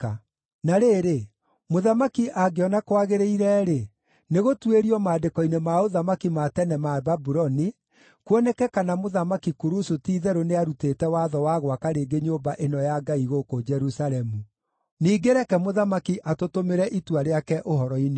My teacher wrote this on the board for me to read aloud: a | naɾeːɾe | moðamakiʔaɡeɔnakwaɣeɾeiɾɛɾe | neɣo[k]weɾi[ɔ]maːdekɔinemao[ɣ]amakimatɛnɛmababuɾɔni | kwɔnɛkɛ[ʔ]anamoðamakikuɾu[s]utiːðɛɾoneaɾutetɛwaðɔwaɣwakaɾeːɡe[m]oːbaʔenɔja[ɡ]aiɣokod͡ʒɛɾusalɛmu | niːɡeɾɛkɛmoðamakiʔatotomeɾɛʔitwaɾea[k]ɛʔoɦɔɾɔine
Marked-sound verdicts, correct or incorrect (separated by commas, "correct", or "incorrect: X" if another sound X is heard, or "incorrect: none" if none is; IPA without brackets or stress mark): incorrect: t, correct, incorrect: ð, incorrect: k, correct, incorrect: ɲ, correct, correct